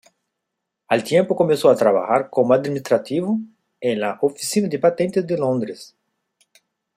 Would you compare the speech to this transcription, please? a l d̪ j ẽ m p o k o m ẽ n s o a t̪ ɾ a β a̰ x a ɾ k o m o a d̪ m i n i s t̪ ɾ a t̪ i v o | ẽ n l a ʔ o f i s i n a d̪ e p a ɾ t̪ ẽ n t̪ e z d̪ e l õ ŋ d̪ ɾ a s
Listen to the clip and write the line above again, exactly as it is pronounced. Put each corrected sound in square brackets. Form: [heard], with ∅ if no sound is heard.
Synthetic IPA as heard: a l [t̪] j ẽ m p o k o m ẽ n s o a t̪ ɾ a β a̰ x a ɾ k o m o a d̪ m i n i s t̪ ɾ a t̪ i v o | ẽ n l a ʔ o f i s i n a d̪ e p a [∅] t̪ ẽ n t̪ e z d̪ e l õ [n] d̪ ɾ [e] s